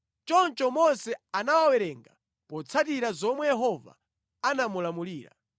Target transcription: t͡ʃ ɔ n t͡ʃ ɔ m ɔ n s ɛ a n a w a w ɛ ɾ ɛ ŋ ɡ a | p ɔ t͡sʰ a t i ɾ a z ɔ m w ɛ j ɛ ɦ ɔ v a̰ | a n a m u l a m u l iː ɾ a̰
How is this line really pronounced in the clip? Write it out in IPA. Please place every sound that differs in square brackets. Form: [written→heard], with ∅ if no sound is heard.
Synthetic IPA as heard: t͡ʃ ɔ n t͡ʃ ɔ m ɔ n s ɛ a n a w a w ɛ ɾ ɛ ŋ ɡ a | p ɔ t͡sʰ a t i ɾ a z ɔ m w ɛ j ɛ ɦ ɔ v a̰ | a n a m u l a m u l iː ɾ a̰